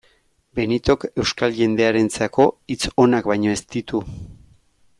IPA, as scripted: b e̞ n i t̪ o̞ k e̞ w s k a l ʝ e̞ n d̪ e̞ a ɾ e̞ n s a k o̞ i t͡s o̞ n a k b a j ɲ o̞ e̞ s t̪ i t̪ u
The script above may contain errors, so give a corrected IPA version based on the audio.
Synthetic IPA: b e̞ n i t̪ o̞ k e̞ w s k a l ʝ e̞ n d̪ e̞ a ɾ e̞ n t͡s a k o̞ i t͡s o̞ n a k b a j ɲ o̞ e̞ s t̪ i t̪ u